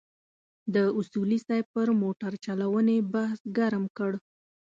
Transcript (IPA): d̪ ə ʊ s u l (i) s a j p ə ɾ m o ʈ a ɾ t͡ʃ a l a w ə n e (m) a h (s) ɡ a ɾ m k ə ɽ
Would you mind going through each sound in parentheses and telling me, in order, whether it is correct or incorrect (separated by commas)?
correct, incorrect, correct